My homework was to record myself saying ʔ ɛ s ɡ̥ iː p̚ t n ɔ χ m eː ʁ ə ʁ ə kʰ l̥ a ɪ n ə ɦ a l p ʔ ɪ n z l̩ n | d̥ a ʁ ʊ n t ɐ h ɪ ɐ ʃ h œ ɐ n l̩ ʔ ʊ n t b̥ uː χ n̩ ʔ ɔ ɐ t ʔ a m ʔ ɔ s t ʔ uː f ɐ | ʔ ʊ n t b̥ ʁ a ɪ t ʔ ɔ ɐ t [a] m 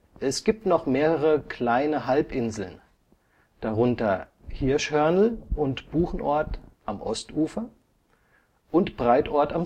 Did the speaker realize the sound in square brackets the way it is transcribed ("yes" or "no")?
yes